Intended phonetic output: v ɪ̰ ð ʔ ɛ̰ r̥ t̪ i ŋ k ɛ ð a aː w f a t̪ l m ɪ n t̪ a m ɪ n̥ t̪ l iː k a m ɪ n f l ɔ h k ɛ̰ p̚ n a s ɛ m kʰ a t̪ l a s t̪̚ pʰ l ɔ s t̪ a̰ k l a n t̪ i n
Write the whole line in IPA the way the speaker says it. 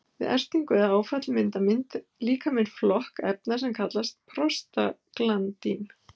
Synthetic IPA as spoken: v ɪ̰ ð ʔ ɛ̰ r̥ t̪ i ŋ k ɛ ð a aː w f a t̪ l m ɪ n t̪ a m ɪ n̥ t̪ l iː k a m ɪ n f l ɔ h k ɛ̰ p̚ n a s ɛ m kʰ a t̪ l a s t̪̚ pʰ ɾ ɔ s t̪ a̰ k l a n t̪ i n